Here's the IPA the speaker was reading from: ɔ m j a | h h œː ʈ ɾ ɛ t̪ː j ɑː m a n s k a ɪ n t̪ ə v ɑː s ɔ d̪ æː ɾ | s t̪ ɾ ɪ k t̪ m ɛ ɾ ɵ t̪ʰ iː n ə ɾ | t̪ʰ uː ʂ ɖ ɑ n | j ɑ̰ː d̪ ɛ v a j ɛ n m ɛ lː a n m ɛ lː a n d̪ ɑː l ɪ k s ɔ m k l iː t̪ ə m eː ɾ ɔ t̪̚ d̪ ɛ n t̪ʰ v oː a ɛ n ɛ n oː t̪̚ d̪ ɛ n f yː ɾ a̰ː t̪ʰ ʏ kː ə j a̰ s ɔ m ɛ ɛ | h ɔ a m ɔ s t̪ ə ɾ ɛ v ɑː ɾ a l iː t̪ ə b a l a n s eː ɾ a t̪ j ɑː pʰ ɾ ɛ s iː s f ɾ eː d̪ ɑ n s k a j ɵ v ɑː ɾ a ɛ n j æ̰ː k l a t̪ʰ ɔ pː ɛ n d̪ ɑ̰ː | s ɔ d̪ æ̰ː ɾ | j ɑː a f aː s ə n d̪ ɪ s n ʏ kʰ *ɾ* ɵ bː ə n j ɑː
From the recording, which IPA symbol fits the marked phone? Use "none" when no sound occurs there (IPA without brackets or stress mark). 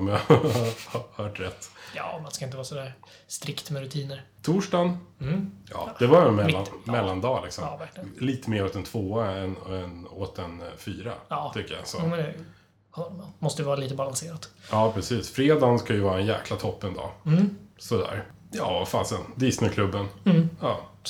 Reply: l